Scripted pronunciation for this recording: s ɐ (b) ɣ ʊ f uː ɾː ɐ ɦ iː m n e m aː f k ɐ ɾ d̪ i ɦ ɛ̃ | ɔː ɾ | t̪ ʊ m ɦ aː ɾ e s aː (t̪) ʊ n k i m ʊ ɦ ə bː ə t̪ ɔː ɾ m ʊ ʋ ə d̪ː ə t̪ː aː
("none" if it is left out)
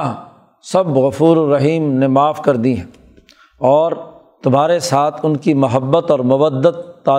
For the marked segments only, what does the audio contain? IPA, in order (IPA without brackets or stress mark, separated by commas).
b, t̪ʰ